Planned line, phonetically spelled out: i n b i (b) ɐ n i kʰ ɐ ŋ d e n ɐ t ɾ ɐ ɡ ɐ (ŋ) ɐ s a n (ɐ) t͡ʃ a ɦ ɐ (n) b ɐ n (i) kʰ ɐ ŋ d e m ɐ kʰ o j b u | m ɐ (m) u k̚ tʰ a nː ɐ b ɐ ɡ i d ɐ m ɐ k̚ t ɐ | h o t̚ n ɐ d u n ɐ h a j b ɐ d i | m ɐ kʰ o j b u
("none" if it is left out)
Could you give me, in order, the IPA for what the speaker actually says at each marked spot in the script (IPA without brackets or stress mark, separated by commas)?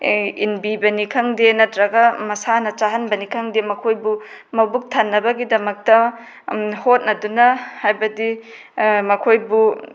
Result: b, m, ɐ, n, i, b